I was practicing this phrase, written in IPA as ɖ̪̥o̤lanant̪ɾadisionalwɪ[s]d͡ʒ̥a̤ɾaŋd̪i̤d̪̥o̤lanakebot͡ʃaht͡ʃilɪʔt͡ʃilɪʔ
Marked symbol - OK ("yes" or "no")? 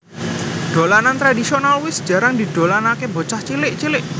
yes